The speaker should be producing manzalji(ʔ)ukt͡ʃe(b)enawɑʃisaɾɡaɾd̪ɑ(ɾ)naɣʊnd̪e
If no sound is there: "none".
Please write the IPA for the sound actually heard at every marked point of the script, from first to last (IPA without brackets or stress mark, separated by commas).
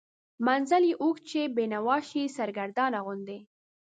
ʔ, b, none